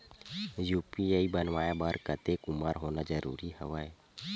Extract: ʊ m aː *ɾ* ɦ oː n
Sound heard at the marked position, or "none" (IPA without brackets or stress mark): ɾ